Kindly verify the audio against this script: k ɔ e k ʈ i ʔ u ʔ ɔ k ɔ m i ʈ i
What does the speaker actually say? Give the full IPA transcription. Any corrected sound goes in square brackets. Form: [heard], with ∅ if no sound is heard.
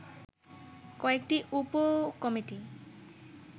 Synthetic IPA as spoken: k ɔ e k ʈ i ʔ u [p] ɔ k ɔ m i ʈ i